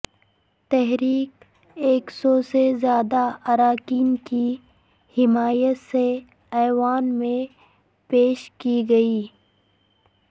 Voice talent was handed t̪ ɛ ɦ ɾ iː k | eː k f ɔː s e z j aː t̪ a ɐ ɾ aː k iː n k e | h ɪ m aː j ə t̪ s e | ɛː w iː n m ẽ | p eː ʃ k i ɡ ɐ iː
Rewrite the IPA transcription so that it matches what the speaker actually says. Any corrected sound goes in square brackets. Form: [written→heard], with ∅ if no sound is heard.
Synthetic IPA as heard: t̪ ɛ ɦ ɾ iː k | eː k [f→s] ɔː s e z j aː [t̪→d̪] a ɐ ɾ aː k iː n k [e→i] | h ɪ m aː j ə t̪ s e | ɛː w [iː→aː] n m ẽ | p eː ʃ k i ɡ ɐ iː